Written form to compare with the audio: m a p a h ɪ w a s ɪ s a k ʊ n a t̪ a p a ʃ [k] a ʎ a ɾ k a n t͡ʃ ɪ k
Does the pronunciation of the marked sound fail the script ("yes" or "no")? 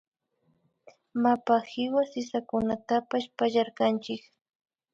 yes